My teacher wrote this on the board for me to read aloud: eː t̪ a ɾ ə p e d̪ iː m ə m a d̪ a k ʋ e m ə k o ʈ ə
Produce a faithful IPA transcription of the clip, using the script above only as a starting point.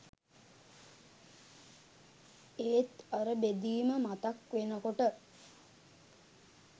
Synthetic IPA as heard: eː t̪ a ɾ ə b e d̪ iː m ə m a t̪ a k ʋ e n ə k o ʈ ə